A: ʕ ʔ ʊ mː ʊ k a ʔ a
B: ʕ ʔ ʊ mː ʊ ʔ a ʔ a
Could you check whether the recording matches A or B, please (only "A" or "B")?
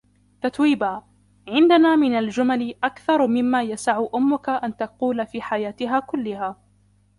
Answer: A